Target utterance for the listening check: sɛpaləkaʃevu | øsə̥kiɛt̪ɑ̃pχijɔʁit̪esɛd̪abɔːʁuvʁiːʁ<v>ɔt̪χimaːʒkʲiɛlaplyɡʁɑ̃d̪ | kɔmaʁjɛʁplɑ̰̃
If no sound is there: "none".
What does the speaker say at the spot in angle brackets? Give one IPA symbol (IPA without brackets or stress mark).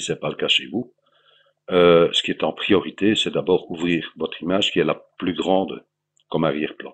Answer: v